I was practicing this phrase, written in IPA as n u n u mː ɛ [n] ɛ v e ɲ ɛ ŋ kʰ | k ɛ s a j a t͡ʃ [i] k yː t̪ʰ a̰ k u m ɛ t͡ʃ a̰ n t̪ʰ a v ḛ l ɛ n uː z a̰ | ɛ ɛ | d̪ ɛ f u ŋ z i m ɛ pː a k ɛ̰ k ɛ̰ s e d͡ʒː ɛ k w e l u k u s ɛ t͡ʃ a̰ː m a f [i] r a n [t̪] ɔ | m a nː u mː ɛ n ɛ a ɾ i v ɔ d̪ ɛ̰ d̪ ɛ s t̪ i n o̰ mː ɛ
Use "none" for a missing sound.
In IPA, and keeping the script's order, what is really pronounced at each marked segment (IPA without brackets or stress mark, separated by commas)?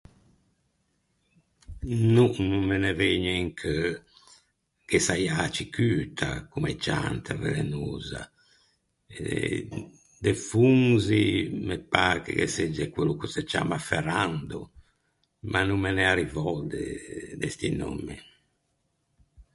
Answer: n, i, ɛ, d̪